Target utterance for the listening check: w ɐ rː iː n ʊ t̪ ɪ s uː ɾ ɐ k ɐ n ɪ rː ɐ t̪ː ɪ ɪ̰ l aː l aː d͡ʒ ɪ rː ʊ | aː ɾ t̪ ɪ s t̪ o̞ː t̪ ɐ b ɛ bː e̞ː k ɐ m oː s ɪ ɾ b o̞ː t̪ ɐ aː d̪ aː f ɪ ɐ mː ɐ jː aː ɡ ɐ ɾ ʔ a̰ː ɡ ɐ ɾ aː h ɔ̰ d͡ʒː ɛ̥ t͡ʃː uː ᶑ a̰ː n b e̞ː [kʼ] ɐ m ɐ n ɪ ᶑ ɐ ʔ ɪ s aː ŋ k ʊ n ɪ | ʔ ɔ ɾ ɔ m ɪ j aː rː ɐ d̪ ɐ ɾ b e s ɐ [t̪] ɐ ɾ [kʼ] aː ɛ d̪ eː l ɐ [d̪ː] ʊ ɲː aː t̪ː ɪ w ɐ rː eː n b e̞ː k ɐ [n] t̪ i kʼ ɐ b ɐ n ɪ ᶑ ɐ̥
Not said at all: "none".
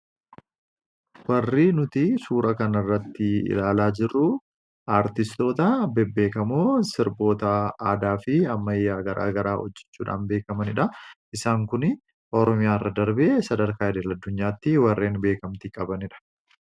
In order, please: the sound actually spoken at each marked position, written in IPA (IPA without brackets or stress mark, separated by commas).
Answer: k, d̪, k, d̪ː, m